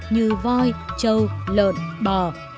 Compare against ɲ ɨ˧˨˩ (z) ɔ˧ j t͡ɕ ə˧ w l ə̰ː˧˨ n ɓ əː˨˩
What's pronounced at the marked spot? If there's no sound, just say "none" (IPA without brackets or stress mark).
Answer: v